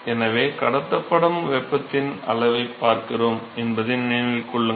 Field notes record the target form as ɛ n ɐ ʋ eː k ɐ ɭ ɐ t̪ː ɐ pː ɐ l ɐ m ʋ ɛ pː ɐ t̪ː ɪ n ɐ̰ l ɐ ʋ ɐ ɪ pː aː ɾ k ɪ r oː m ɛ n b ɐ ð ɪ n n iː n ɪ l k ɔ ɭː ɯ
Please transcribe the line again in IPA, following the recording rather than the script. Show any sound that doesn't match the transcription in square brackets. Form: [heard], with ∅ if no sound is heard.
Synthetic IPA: ɛ n ɐ ʋ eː k ɐ [ɽ] ɐ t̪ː ɐ pː ɐ [ɽ] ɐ m ʋ ɛ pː ɐ t̪ː ɪ n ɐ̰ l ɐ ʋ ɐ ɪ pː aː ɾ k ɪ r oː m ɛ n b ɐ ð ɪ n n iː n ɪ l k ɔ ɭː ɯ